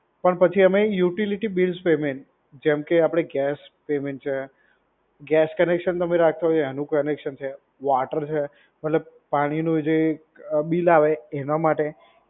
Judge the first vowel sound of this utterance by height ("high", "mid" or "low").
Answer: mid